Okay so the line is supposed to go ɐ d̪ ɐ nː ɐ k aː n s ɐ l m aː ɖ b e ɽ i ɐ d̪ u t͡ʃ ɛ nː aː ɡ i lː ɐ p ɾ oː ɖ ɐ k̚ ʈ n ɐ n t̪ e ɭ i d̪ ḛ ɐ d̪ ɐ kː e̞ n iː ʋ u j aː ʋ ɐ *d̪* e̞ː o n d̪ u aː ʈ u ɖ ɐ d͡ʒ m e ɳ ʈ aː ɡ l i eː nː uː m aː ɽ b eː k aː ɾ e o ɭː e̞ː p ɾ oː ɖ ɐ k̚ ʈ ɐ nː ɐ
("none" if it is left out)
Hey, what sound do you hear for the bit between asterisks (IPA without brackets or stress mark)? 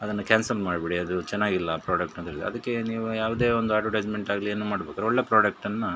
d̪